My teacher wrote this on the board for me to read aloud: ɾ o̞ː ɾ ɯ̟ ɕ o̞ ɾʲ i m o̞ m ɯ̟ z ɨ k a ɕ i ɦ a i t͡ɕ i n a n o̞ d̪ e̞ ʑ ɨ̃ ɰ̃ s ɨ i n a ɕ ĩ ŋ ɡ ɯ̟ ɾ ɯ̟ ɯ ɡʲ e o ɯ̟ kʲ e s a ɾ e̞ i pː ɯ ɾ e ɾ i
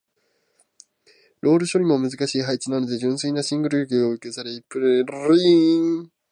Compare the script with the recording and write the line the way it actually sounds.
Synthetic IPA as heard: ɾ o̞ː ɾ ɯ̟ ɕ o̞ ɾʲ i m o̞ m ɯ̟ z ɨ k a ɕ iː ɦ a i t͡ɕ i n a n o̞ d̪ e̞ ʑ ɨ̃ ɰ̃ s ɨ i n a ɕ ĩ ŋ ɡ ɯ̟ ɾ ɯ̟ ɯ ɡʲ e o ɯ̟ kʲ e s a ɾ e̞ i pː ɯ ɾ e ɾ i